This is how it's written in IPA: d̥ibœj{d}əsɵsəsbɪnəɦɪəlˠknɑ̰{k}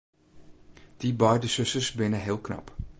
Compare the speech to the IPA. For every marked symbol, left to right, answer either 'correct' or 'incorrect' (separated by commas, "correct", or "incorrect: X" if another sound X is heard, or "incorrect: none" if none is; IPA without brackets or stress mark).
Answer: correct, incorrect: p